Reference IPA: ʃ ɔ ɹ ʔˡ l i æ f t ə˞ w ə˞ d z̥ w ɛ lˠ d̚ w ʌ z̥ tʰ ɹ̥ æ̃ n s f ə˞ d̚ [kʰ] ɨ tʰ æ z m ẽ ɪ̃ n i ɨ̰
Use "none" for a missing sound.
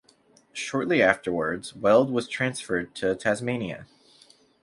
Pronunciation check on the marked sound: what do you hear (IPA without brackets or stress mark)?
tʰ